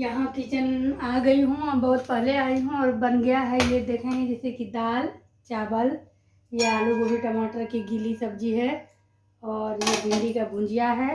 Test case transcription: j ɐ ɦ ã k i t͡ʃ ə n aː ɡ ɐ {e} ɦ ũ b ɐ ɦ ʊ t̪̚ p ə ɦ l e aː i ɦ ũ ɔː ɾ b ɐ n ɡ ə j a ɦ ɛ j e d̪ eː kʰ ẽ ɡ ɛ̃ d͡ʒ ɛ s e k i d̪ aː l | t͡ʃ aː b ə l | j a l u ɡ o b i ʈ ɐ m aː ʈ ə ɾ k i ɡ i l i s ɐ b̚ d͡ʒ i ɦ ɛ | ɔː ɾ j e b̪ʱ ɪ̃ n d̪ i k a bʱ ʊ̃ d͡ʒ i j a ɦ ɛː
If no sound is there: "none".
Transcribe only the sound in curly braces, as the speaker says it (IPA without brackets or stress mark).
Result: i